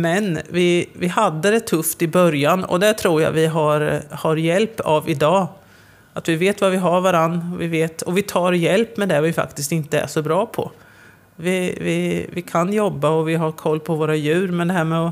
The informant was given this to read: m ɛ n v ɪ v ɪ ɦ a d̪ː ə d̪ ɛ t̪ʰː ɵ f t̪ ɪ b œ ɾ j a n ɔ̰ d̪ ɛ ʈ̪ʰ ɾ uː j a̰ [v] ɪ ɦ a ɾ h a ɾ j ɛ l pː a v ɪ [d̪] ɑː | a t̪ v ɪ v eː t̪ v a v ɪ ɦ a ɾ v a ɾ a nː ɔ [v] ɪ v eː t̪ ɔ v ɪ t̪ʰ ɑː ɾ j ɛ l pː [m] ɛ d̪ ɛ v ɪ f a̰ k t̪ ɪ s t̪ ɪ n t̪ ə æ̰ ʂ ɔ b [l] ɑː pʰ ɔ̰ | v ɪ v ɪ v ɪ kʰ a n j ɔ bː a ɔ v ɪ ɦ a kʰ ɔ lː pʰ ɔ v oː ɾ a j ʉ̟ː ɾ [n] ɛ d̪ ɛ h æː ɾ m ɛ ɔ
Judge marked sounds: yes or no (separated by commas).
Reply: yes, yes, yes, yes, no, no